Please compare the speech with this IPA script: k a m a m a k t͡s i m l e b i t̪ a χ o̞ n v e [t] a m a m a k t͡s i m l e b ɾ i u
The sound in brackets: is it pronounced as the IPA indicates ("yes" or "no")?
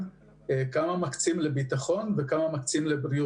no